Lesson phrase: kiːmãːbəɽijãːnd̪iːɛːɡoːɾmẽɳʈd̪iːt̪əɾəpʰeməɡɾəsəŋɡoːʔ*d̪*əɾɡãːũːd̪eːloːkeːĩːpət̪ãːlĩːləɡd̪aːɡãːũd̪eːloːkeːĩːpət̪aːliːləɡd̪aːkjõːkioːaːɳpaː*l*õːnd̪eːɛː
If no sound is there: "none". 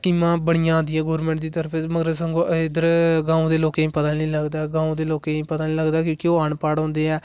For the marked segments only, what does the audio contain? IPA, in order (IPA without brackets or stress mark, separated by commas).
d̪, ɽ